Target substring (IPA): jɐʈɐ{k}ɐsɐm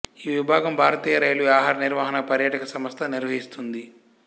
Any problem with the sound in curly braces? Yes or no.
no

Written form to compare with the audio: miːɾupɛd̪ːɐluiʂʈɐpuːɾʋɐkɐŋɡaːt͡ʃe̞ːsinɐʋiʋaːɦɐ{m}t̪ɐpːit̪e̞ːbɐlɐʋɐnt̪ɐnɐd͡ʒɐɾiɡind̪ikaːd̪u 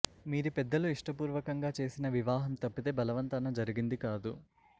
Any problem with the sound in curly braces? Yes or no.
no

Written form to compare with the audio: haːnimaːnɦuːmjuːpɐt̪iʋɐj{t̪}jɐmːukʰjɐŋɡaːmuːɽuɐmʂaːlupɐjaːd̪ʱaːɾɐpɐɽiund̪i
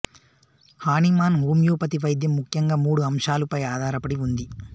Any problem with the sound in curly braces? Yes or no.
yes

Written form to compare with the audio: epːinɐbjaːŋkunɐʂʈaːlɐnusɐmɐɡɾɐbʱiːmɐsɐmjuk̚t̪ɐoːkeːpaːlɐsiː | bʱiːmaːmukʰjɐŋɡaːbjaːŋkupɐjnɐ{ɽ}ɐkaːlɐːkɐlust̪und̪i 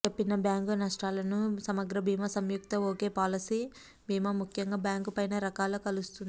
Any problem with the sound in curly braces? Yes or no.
yes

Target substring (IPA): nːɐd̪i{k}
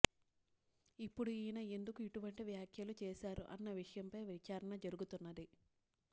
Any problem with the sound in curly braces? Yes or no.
yes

